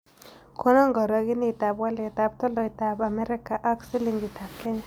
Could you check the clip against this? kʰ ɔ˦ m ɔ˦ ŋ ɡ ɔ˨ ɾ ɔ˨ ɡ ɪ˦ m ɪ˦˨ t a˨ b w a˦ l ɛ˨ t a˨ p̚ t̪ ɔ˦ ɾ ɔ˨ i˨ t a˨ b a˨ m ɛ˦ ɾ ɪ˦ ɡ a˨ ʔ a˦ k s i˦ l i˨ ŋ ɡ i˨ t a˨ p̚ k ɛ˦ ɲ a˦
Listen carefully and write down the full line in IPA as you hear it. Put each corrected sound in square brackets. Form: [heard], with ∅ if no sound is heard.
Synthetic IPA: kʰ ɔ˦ [n] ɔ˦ ŋ ɡ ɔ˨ ɾ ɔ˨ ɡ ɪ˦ [n] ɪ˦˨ t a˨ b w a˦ l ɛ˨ t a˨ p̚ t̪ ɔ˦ [l] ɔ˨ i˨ t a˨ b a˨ m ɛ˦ ɾ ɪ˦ [k] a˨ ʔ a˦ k s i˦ l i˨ ŋ ɡ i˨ t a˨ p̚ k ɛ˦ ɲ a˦